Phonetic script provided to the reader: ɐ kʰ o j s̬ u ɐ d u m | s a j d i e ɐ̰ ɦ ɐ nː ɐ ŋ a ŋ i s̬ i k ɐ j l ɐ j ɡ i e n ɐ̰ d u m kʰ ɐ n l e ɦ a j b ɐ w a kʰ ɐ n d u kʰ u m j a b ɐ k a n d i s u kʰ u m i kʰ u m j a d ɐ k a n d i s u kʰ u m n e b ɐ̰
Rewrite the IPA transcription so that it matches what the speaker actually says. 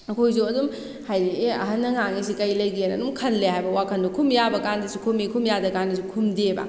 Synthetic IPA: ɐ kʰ o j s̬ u ɐ d u m | h a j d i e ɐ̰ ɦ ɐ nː ɐ ŋ a ŋ i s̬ i k ɐ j l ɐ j ɡ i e n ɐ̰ d u m kʰ ɐ n l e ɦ a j b ɐ w a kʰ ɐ n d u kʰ u m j a b ɐ k a n d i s u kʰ u m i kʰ u m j a d ɐ k a n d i s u kʰ u m d e b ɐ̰